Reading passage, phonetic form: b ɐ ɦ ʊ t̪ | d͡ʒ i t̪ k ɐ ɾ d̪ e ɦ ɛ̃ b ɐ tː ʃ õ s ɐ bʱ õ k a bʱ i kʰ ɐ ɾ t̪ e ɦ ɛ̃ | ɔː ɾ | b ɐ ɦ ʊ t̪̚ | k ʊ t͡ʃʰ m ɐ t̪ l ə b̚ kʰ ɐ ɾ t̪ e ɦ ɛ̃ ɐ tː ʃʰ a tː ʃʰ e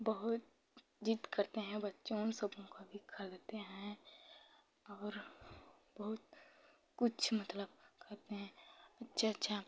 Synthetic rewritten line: b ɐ ɦ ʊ t̪ | d͡ʒ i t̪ k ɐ ɾ t̪ e ɦ ɛ̃ b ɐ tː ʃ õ s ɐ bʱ õ k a bʱ i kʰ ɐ l t̪ e ɦ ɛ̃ | ɔː ɾ | b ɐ ɦ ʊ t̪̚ | k ʊ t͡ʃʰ m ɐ t̪ l ə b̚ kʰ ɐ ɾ t̪ e ɦ ɛ̃ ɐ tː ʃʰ a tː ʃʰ a